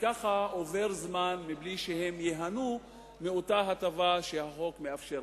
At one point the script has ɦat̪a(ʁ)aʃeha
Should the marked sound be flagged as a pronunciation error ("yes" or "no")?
yes